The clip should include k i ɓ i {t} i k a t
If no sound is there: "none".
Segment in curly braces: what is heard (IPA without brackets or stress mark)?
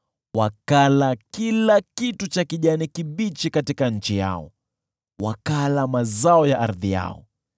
t͡ʃ